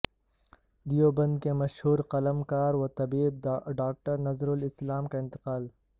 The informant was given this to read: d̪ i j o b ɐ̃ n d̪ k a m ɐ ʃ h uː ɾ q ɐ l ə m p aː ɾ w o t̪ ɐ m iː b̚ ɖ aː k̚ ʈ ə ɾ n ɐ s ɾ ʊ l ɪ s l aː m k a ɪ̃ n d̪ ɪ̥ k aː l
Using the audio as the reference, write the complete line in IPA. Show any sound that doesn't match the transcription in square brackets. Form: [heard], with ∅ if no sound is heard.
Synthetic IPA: d̪ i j o b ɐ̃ n d̪ k [e] m ɐ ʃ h uː ɾ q ɐ l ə m [k] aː ɾ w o t̪ ɐ [b] iː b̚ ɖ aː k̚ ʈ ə ɾ n ɐ [z] ɾ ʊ l ɪ s l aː m k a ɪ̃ n [t̪] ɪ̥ [q] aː l